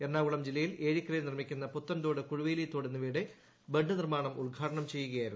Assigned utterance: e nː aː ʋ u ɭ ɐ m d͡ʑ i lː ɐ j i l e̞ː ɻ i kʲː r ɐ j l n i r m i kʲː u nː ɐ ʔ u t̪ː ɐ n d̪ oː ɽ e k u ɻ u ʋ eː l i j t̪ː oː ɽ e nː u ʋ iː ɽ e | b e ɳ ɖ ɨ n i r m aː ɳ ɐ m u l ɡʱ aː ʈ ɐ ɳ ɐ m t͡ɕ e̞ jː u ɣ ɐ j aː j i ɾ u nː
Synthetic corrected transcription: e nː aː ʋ u ɭ ɐ m d͡ʑ i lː ɐ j i l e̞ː ɻ i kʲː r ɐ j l n i r m i kʲː u nː ɐ p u t̪ː ɐ n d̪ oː ɽ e k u ɻ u ʋ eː l i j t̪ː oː ɽ e nː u ʋ iː ɽ e | b e ɳ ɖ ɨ n i r m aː ɳ ɐ m u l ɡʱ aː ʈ ɐ ɳ ɐ m t͡ɕ e̞ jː u ɣ ɐ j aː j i ɾ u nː